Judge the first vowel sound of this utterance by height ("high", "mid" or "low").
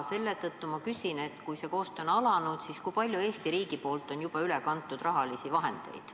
mid